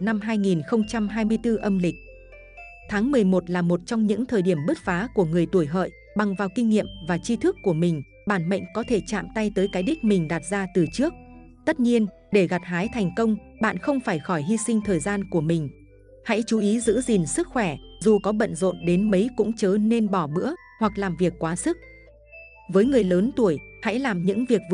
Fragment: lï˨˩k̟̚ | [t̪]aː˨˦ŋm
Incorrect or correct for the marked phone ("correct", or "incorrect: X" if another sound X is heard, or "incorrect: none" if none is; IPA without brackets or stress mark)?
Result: incorrect: t̪ʰ